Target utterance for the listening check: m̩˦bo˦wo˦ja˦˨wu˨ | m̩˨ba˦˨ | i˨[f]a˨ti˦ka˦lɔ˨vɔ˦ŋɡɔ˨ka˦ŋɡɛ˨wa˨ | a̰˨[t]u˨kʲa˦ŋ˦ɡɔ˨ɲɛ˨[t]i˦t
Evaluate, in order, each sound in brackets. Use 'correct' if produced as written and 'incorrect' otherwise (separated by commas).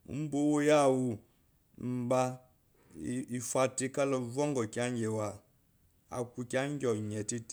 correct, incorrect, correct